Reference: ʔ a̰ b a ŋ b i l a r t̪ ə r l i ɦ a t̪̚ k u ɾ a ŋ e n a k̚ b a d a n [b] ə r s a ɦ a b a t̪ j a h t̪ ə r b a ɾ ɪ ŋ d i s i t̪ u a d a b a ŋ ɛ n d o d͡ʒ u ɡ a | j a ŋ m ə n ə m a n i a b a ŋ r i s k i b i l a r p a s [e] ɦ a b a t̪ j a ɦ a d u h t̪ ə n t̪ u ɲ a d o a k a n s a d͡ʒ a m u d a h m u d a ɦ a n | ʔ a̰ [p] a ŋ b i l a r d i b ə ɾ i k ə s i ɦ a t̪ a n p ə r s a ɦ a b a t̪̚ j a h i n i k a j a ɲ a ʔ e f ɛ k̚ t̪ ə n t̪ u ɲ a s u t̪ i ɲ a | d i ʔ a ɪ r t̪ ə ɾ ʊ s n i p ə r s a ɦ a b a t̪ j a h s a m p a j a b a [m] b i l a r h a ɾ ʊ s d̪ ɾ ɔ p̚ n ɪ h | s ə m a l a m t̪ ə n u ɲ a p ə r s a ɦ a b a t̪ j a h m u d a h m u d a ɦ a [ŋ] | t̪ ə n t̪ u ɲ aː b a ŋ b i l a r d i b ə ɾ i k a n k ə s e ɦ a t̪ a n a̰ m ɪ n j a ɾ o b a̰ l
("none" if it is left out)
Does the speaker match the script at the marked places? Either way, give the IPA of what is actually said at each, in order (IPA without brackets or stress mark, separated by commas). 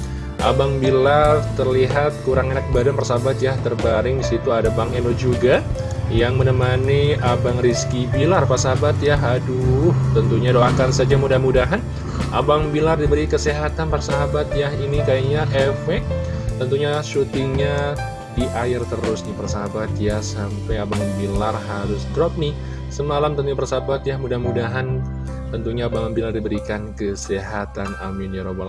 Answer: p, a, b, ŋ, n